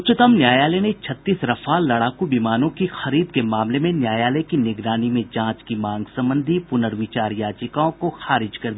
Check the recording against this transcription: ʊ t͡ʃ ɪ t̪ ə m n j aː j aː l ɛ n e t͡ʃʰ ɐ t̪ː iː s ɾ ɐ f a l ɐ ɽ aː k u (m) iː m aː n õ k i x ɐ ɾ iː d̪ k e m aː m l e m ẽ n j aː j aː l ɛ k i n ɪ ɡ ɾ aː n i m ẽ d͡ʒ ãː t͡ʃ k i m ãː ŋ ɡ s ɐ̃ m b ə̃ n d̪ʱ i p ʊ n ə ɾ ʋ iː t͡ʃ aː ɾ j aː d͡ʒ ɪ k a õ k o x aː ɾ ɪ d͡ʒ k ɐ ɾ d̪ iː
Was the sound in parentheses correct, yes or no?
no